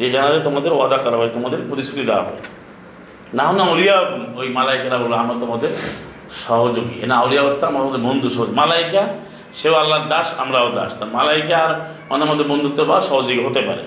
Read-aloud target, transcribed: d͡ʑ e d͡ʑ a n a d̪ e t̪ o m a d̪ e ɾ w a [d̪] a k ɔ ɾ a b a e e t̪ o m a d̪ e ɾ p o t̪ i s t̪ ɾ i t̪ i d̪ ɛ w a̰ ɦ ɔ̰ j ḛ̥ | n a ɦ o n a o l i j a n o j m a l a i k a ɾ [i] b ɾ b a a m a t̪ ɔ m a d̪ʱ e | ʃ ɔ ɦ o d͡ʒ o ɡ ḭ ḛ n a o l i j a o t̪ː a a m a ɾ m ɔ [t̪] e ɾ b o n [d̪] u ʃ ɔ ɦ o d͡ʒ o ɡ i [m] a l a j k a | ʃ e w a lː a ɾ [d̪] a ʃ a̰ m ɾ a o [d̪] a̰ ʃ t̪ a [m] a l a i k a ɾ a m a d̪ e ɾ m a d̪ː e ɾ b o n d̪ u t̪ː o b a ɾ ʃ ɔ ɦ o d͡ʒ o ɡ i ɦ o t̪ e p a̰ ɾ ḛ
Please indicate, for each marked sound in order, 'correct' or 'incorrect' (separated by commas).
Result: correct, incorrect, incorrect, correct, correct, correct, correct, correct